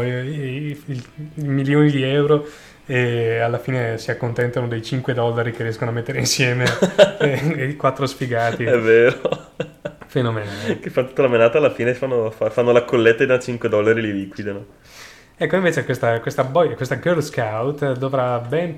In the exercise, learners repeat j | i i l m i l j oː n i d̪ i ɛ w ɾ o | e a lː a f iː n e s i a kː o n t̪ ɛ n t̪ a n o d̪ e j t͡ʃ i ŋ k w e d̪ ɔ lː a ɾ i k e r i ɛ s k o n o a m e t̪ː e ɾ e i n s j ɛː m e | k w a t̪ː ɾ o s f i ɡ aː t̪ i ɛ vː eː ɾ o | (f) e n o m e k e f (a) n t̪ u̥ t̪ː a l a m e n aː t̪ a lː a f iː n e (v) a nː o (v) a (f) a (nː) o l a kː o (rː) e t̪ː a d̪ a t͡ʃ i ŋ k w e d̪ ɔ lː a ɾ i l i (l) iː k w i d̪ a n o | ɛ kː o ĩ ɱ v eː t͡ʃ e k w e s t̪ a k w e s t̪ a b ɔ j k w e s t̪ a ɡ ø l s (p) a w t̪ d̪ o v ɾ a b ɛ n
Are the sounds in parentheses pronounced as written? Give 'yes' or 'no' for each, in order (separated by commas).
yes, yes, no, no, yes, yes, no, yes, no